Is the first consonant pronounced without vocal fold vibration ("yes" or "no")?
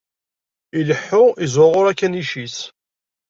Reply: no